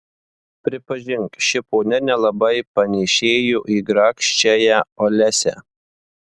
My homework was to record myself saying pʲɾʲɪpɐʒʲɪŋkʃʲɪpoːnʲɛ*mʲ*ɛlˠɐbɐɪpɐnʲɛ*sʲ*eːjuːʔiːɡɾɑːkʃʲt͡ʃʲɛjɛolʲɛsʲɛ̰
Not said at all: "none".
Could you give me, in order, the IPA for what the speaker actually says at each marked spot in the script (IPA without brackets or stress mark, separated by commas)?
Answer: nʲ, ʃʲ